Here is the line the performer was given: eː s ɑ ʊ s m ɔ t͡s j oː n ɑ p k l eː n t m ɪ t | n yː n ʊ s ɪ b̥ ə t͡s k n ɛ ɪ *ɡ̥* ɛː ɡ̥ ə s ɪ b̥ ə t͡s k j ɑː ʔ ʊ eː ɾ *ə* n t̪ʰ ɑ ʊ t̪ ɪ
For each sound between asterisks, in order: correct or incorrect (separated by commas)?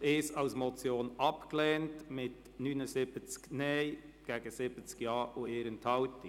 correct, correct